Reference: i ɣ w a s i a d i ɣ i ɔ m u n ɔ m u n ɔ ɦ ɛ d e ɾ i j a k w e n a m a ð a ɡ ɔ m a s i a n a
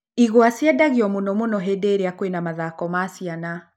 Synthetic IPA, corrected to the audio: i ɣ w a s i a d a ɣ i ɔ m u n ɔ m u n ɔ ɦ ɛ d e ɾ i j a k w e n a m a ð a k ɔ m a s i a n a